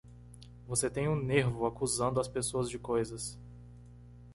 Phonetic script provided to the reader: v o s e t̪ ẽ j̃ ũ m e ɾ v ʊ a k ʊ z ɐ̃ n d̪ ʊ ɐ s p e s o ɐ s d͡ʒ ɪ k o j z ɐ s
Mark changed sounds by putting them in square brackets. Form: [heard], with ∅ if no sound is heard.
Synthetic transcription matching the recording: v o s e t̪ ẽ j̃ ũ [n] e ɾ v ʊ a k [u] z ɐ̃ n d̪ ʊ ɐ s p e s o ɐ [z] d͡ʒ ɪ k o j z ɐ s